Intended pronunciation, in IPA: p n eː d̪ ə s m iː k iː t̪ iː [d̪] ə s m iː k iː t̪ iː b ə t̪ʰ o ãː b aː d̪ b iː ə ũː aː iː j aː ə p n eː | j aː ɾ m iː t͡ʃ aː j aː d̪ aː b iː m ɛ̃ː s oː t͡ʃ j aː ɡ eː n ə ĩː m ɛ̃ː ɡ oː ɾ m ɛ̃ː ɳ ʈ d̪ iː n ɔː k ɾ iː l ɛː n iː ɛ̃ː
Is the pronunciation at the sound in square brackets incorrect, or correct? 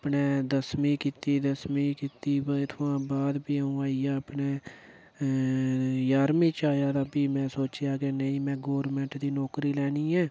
correct